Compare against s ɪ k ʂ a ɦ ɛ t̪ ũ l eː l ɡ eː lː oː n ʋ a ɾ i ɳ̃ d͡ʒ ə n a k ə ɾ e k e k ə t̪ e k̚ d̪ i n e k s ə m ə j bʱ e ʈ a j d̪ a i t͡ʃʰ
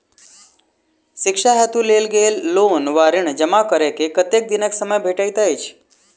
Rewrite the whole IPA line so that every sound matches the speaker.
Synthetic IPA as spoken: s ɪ k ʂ a ɦ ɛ t̪ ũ l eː l ɡ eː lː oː n ʋ a ɾ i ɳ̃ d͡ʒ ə m a k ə ɾ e k e k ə t̪ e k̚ d̪ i n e k s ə m ə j bʱ e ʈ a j t̪ a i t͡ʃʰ